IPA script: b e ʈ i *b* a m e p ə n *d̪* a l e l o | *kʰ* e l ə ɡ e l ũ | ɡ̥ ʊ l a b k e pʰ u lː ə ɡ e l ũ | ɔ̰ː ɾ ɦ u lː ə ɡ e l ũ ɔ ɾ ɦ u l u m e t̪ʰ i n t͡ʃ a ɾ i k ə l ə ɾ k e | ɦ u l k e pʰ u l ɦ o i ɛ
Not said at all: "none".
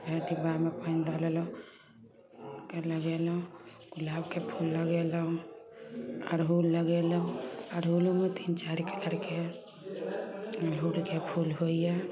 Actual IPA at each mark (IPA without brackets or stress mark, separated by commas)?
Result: b, d̪, k